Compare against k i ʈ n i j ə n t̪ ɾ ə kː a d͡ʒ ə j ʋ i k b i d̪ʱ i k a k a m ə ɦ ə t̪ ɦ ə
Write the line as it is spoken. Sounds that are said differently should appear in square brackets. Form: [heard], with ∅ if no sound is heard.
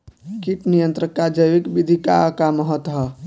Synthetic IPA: k i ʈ n i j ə n t̪ ɾ ə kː a d͡ʒ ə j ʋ i k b i d̪ʱ i k a k a m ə ɦ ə t̪ ɦ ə